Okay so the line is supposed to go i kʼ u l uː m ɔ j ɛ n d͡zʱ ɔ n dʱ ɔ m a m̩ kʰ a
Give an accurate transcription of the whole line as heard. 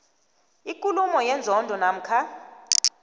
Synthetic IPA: i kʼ u l u m ɔ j ɛ n d͡zʱ ɔ n dʱ ɔ n a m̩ kʰ a